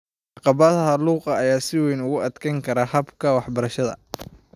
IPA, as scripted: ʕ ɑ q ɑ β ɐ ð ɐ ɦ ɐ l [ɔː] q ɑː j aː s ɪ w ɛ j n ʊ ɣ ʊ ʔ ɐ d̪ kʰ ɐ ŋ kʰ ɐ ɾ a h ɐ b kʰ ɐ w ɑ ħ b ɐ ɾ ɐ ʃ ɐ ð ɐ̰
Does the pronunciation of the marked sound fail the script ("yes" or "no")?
yes